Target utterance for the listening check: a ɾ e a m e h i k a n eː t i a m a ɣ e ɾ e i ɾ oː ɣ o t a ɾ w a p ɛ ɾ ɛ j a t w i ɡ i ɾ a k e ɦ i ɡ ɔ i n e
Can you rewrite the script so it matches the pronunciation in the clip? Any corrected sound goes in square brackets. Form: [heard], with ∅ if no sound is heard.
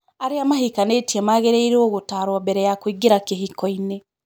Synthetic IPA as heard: a ɾ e a m [a] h i k a n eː t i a m a ɣ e ɾ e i ɾ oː ɣ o t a ɾ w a [b] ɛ ɾ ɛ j a [k] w i ɡ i ɾ a k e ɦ i [k] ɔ i n e

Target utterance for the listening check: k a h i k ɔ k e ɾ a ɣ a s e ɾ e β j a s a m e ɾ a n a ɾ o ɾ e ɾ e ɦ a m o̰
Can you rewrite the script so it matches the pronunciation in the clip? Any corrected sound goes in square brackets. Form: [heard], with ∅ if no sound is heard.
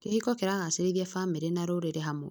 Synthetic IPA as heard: k [e] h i k ɔ k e ɾ a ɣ a s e ɾ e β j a [f] a m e ɾ [e] n a ɾ o ɾ e ɾ e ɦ a m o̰

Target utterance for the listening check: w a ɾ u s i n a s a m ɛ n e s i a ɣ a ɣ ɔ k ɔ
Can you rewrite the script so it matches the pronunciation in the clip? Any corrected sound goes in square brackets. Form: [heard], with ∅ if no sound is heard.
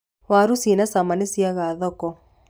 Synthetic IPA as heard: w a ɾ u s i n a s a m [a] n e s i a ɣ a [ð] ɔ k ɔ

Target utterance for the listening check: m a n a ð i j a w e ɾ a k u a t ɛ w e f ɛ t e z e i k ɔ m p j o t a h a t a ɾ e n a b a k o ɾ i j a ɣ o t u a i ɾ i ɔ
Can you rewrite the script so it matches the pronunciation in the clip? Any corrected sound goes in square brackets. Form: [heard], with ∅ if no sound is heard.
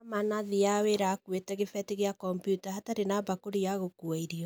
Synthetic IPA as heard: m a n a ð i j a w e ɾ a k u [e] t ɛ [ɣ] e f ɛ t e [ɣ] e [a] k ɔ m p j [u] t a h a t a ɾ e n a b a k o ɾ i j a ɣ o [k] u a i ɾ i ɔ

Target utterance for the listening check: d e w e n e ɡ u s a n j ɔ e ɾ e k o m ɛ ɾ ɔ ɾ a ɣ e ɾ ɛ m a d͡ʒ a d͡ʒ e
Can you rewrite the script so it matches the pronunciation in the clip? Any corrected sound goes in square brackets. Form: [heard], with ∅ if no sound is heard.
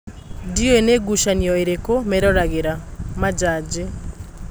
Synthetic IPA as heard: d [i] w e n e ɡ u [ʃ] a n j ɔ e ɾ e k o m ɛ ɾ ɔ ɾ a ɣ e ɾ [a] m a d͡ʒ a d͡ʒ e

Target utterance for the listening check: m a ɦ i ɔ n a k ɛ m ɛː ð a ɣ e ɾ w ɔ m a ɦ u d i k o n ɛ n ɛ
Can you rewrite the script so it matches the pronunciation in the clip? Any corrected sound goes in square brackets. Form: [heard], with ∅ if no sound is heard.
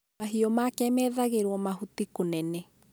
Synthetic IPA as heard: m a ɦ i ɔ [m] a k ɛ m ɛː ð a ɣ e ɾ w ɔ m a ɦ u [t] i k o n ɛ n ɛ

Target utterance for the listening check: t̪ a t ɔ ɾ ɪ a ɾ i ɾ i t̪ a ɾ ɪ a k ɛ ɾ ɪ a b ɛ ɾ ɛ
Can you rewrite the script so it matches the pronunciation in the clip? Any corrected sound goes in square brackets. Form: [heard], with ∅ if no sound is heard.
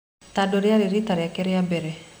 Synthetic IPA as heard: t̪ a [d] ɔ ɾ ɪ a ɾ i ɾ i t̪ a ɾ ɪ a k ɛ ɾ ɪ a b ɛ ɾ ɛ

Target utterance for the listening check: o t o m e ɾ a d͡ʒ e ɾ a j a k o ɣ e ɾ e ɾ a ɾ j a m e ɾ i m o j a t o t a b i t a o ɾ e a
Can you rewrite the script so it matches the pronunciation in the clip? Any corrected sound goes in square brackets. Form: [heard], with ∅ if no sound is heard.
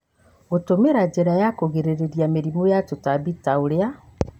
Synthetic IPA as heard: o t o m e ɾ a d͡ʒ e ɾ a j a k o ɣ e ɾ e ɾ [e] ɾ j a m e ɾ i m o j a t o t a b i t a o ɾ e a

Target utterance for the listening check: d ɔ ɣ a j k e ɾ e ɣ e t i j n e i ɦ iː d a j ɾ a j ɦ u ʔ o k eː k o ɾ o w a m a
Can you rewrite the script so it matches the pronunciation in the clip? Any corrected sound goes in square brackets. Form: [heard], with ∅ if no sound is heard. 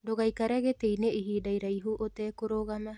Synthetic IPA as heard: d [o] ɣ a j k [a] ɾ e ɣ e t [e] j n e i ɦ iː d a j ɾ a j ɦ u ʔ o [t] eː k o ɾ o [ɣ] a m a

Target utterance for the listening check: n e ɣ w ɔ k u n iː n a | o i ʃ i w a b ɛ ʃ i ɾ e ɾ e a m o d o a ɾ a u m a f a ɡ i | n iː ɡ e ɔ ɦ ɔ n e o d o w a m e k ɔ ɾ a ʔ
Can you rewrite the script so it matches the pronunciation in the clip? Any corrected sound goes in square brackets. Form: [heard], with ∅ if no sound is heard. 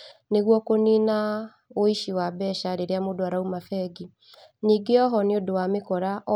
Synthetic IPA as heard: n e ɣ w ɔ k [o] n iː n a | o i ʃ i w a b ɛ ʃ [a] ɾ e ɾ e a m o d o a ɾ a u m a f [ɛ] ɡ i | n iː ɡ e ɔ ɦ ɔ n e o d o w a m e k ɔ ɾ a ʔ

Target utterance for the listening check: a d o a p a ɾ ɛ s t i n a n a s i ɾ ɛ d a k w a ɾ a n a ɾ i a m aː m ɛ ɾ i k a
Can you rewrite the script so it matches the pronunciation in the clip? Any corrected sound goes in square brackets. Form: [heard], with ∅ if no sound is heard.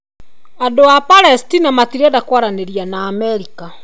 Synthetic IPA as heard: a d o a p a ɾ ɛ s t i n a [m] a [t] i ɾ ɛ d a k w a ɾ a n [e] ɾ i a [n] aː m ɛ ɾ i k a

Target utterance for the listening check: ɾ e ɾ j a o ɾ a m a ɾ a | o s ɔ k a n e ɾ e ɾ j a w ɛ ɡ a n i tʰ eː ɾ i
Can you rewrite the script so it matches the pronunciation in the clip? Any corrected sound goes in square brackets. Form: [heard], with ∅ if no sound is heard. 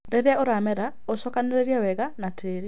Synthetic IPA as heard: ɾ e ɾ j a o ɾ a m [ɛ] ɾ a | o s ɔ k a n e ɾ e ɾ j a w ɛ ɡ a n [a] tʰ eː ɾ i

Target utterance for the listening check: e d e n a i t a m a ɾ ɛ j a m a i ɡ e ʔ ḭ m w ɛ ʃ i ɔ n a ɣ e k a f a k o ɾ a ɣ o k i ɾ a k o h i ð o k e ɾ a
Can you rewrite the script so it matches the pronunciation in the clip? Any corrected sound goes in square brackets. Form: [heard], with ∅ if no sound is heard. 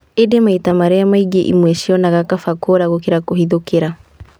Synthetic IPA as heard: e d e [m] a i t a m a ɾ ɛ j a m a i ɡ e ʔ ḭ m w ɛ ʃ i ɔ n a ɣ [a] k a f a k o ɾ a ɣ o k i ɾ a k o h i ð o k e ɾ a

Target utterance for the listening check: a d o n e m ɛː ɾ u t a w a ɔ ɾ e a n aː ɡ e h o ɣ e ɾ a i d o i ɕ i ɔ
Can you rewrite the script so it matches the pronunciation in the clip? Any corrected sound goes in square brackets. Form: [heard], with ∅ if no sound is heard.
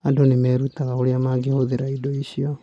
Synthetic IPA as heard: a d o n e m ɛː ɾ u t a [ɣ] a [o] ɾ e a [m] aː ɡ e h o [ð] e ɾ a i d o i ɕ i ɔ

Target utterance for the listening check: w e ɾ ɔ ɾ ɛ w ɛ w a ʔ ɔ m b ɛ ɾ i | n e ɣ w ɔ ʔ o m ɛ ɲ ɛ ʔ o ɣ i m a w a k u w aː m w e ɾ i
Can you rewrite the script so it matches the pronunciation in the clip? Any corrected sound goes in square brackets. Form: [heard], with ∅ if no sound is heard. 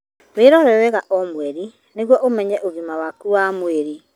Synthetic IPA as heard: w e ɾ ɔ ɾ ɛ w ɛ [ɣ] a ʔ ɔ m [w] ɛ ɾ i | n e ɣ w ɔ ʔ o m ɛ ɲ ɛ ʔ o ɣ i m a w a k u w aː m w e ɾ i

